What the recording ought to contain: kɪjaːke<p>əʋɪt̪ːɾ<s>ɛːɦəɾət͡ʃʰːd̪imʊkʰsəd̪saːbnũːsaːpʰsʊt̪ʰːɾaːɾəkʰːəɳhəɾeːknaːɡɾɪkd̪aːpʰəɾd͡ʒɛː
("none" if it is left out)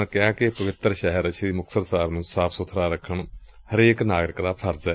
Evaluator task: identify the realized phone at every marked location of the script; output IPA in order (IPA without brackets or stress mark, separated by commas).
p, ʃ